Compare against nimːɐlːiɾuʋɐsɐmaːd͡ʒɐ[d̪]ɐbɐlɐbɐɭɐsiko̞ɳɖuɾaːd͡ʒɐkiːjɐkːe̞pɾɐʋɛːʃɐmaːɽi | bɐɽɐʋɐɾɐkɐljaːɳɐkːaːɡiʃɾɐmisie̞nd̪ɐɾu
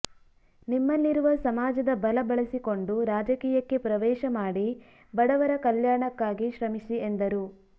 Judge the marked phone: correct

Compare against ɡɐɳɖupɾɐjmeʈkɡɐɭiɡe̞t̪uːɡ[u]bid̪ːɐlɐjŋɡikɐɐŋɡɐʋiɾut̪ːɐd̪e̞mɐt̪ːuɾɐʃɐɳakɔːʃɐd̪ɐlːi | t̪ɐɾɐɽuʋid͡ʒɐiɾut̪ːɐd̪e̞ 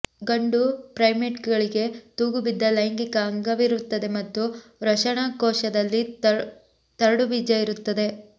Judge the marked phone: correct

